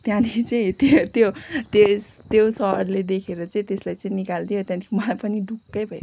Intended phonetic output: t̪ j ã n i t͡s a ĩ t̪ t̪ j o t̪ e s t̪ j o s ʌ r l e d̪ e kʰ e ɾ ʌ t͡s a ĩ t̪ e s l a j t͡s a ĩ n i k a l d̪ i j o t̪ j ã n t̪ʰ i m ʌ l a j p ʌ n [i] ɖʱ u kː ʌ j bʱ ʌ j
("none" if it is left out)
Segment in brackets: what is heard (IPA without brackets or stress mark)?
i